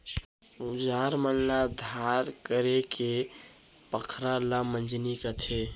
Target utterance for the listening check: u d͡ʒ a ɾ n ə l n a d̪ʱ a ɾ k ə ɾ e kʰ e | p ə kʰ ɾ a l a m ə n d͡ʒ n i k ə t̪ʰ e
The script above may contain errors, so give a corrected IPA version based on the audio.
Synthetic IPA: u d͡ʒ a ɾ m ə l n a d̪ʱ a ɾ k ə ɾ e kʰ e | p ə kʰ ɾ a l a m ə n d͡ʒ n i k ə t̪ʰ e